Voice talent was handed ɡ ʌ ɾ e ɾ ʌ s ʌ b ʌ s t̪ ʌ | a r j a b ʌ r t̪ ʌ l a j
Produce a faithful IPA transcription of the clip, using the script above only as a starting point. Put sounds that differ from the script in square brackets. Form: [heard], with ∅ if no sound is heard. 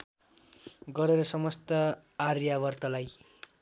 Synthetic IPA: ɡ ʌ ɾ e ɾ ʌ s ʌ [m] ʌ s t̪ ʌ | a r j a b ʌ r t̪ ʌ l a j